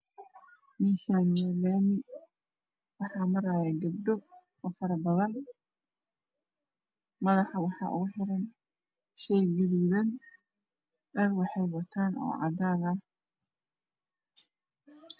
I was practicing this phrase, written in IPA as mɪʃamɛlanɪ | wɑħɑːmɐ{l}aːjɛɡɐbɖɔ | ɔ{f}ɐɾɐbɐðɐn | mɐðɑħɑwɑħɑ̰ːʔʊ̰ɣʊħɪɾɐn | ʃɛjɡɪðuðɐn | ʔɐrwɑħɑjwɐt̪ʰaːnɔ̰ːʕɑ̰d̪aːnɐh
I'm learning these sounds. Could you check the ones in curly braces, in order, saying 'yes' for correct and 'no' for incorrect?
no, yes

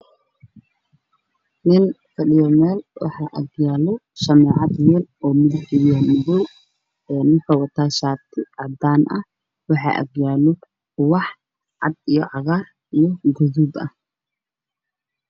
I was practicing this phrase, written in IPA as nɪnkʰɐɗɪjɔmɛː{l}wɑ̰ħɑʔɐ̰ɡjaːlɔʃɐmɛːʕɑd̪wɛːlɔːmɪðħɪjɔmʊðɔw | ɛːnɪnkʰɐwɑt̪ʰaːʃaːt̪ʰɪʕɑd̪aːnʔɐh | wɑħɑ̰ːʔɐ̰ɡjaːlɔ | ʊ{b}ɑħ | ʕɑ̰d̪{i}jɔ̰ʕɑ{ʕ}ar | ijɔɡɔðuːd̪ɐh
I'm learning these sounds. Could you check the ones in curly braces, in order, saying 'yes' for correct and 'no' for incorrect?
yes, no, yes, no

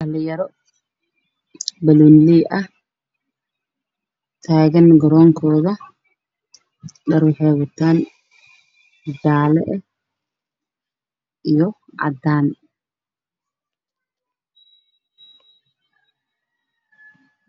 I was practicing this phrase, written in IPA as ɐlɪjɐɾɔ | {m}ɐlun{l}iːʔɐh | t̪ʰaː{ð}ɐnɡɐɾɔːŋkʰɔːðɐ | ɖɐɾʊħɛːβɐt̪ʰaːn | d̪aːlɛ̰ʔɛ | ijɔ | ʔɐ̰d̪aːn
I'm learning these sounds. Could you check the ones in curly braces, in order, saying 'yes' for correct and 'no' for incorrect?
no, yes, no

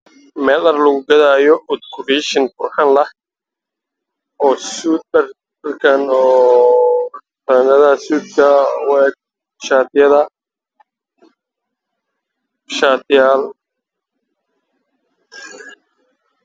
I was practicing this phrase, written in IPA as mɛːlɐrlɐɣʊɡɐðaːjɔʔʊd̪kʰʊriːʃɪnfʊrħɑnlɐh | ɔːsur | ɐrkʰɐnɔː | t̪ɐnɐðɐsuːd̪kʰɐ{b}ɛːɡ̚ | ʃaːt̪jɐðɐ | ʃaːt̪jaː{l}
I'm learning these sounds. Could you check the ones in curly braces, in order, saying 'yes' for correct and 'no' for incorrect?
no, yes

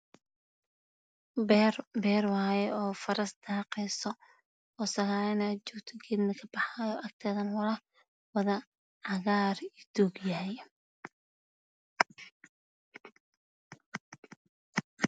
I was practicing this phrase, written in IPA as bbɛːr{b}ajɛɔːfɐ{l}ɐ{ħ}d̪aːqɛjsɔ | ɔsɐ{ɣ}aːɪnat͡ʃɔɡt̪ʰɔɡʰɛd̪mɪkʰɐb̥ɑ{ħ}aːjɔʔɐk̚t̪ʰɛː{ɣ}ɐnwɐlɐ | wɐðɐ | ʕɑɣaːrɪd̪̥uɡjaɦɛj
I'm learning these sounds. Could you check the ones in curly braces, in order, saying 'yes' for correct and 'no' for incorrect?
no, no, no, yes, yes, no

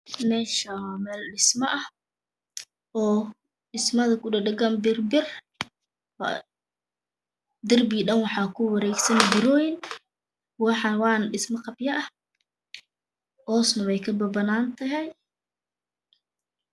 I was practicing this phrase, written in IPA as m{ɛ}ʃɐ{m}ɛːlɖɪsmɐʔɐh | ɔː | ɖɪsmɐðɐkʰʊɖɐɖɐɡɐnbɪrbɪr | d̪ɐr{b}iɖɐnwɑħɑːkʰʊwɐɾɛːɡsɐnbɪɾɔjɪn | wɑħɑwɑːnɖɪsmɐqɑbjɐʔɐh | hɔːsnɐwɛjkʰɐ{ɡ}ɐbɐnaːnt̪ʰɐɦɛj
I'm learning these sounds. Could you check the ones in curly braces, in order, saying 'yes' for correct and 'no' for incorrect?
no, yes, yes, no

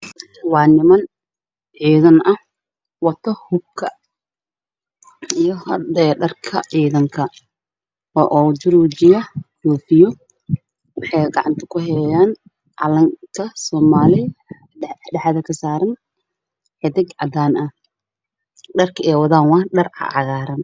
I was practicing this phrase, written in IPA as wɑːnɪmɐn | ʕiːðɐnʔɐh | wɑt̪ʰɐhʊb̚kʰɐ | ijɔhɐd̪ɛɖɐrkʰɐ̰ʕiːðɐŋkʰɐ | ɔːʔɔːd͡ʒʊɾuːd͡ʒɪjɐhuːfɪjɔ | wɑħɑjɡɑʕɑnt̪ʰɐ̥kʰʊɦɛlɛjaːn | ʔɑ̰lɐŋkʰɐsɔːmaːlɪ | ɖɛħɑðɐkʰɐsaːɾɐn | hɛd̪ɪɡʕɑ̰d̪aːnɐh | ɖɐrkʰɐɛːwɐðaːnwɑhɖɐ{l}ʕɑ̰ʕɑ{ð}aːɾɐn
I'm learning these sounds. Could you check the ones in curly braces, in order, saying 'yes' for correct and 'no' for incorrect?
no, no

